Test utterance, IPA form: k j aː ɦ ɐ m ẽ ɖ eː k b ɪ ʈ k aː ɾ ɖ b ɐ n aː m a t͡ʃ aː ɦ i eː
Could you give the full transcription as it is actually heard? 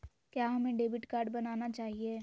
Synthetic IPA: k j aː ɦ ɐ m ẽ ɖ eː b ɪ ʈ k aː ɾ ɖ b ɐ n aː n a t͡ʃ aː ɦ i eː